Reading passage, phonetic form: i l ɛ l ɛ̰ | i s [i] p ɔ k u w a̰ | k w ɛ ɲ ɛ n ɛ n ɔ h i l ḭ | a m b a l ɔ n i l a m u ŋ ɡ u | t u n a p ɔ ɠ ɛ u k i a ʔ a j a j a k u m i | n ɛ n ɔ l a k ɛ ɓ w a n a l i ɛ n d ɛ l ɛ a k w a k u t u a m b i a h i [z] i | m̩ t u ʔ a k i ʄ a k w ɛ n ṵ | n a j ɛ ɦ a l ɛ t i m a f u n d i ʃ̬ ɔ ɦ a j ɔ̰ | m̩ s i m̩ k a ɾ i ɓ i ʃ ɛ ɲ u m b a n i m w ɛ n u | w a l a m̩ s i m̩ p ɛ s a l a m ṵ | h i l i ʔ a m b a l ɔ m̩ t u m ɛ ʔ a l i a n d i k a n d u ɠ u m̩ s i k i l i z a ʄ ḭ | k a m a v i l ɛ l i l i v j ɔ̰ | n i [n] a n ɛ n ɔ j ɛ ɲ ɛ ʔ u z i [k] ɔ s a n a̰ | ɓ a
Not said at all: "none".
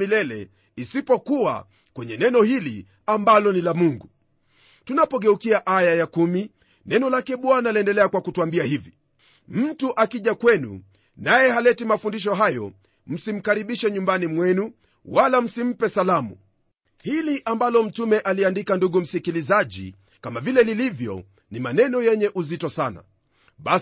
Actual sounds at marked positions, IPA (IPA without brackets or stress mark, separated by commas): i, v, m, t